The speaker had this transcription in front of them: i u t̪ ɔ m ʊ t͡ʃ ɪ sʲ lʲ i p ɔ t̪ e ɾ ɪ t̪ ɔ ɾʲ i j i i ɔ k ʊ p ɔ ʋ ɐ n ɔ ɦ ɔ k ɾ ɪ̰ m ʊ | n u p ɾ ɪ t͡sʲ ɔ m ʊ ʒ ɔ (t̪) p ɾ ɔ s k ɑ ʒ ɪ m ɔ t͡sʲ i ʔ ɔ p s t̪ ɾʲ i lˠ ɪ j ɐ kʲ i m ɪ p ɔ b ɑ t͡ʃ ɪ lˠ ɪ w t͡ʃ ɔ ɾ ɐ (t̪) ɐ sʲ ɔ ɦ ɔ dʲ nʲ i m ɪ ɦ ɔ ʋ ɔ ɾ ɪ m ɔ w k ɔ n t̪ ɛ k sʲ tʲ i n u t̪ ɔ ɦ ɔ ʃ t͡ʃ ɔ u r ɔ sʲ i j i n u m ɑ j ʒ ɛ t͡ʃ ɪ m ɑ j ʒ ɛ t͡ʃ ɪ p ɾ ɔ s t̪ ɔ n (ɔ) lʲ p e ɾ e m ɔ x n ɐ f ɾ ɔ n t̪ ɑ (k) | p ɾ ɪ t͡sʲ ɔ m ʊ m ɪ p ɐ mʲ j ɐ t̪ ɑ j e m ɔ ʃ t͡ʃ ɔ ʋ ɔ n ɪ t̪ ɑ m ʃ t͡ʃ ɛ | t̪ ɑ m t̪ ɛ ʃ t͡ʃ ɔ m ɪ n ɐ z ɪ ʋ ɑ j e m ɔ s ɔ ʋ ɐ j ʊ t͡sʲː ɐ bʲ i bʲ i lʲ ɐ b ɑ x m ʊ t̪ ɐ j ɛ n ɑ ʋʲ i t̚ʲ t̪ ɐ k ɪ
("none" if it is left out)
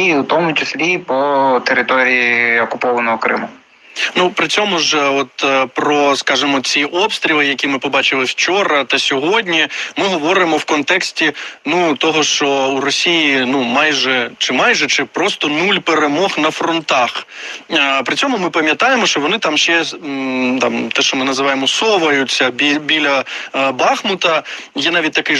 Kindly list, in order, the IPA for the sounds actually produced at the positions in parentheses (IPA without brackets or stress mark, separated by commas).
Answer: t̪, t̪, u, x